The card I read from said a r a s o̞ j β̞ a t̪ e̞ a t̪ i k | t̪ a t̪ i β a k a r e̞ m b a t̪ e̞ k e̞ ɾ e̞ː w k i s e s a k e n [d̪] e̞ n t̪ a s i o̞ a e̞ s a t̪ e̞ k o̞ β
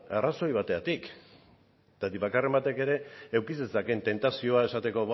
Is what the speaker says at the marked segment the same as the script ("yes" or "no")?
no